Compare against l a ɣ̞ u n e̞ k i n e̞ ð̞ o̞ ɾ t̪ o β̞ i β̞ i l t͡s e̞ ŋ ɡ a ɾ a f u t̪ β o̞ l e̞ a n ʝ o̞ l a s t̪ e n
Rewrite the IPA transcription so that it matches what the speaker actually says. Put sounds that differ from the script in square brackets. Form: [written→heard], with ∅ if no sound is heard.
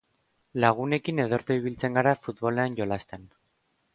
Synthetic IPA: l a ɣ̞ u n e̞ k i n e̞ ð̞ o̞ ɾ t̪ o [β̞→∅] i β̞ i l t͡s e̞ ŋ ɡ a ɾ a f u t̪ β o̞ l e̞ a n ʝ o̞ l a s t̪ e n